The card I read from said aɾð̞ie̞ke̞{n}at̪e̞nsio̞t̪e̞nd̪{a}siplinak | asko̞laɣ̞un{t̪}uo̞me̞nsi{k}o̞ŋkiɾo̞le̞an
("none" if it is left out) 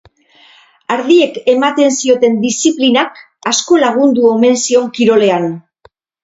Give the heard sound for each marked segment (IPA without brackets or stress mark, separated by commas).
m, i, d̪, none